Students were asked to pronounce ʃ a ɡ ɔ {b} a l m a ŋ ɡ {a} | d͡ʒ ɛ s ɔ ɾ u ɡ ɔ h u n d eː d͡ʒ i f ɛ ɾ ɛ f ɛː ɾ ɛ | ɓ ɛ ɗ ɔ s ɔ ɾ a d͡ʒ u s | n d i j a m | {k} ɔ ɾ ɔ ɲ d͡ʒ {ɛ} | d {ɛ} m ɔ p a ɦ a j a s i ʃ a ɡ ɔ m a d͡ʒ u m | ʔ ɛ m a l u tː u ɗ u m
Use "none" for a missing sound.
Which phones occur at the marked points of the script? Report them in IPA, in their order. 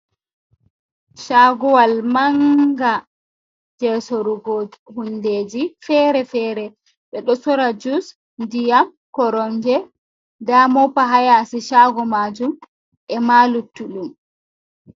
w, a, k, ɛ, a

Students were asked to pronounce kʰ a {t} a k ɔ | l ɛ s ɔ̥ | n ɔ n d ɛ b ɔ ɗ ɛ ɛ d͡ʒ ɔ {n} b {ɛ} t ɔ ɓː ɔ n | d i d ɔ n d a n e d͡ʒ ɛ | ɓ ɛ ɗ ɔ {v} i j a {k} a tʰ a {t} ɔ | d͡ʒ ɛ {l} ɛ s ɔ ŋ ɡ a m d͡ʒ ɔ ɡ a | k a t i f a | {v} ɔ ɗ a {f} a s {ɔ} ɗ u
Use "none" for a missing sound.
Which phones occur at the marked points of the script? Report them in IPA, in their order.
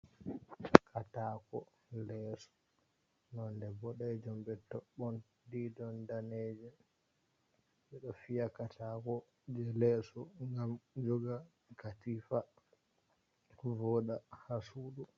t, m, ɛ, f, k, k, l, v, h, u

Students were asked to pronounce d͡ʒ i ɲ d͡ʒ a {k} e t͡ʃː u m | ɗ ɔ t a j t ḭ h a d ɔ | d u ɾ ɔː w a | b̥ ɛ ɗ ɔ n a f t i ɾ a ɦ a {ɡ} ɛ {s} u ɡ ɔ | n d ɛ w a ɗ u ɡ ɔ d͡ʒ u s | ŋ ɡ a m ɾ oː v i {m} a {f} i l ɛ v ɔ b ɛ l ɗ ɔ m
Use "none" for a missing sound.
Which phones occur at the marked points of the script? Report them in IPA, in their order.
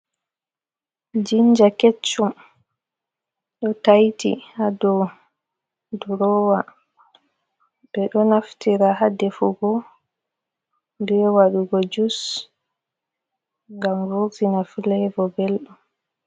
k, d, f, n, f

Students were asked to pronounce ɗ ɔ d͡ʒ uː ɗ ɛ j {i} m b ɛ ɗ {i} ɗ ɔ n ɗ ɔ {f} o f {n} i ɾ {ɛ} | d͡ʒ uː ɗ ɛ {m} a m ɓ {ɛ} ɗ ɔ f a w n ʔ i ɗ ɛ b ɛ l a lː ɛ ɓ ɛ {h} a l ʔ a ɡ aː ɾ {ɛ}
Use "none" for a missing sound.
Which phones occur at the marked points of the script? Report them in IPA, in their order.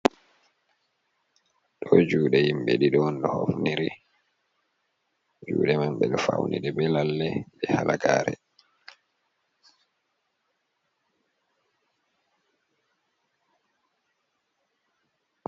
i, i, h, n, i, m, ɛ, h, ɛ

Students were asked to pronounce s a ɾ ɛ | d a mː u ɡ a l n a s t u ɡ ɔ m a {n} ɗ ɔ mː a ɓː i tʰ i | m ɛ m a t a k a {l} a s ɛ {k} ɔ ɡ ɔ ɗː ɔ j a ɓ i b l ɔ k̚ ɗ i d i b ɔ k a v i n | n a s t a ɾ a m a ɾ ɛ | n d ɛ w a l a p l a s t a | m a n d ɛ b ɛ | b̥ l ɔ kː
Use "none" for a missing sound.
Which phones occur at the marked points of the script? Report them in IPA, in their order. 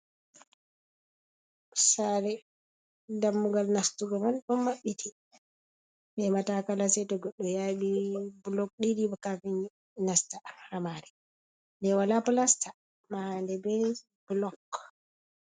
n, l, t

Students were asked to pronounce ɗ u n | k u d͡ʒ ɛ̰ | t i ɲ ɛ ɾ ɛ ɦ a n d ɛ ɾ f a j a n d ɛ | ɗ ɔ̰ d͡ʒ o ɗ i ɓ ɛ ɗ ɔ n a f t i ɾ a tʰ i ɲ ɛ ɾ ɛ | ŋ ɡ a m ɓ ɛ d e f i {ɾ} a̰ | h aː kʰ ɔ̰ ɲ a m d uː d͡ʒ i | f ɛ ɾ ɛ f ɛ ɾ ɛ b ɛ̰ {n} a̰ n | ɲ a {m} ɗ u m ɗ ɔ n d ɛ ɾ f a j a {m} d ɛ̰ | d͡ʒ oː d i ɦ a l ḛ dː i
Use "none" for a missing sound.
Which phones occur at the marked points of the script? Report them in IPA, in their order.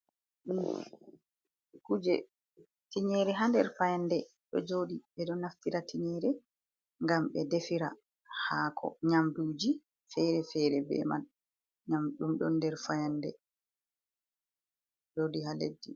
ɾ, m, m, n

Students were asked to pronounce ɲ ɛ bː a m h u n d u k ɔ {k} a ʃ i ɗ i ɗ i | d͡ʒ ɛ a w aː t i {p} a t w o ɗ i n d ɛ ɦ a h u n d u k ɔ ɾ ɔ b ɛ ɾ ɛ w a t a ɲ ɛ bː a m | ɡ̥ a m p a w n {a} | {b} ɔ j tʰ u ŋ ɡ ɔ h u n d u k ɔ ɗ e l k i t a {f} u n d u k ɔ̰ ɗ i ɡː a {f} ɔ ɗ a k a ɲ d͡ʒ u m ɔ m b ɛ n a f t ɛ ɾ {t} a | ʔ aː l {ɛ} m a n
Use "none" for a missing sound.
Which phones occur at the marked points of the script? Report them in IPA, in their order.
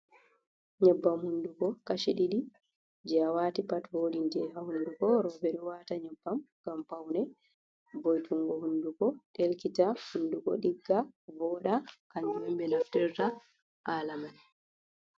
k, p, ɛ, b, h, v, t, a

